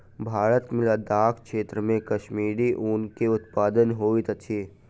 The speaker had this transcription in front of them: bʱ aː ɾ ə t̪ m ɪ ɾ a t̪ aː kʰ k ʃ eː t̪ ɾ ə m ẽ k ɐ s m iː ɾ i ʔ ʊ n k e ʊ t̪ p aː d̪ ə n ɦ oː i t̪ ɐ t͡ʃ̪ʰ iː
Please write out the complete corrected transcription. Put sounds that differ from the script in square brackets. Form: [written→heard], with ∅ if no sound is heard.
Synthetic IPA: bʱ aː ɾ ə t̪ m ɪ [ɾ→l] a [t̪→d̪] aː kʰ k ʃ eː t̪ ɾ ə m ẽ k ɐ [s→ʃ] m iː ɾ i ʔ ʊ n k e ʊ t̪ p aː d̪ ə n ɦ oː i t̪ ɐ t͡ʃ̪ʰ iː